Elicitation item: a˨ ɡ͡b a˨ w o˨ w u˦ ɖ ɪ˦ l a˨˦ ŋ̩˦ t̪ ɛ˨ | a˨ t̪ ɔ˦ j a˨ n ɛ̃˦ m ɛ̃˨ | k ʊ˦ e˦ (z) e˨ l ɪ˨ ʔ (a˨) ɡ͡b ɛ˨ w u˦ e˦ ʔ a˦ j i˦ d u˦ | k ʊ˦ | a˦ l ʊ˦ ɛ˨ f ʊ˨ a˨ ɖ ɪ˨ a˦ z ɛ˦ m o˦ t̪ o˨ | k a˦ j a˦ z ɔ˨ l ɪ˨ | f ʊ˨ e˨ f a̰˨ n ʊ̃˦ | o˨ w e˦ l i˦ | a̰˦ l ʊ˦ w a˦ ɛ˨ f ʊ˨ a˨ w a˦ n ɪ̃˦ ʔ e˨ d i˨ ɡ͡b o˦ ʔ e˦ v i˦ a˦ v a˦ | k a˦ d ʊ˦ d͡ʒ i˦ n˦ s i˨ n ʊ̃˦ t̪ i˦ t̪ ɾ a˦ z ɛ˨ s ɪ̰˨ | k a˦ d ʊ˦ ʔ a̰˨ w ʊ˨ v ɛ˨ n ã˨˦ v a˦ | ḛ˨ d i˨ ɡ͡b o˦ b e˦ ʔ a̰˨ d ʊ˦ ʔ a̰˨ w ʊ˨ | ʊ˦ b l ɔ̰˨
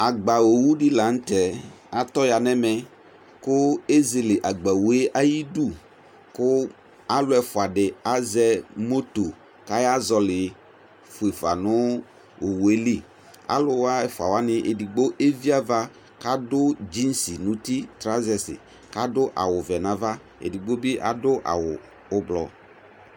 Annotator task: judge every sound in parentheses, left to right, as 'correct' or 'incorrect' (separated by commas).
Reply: correct, correct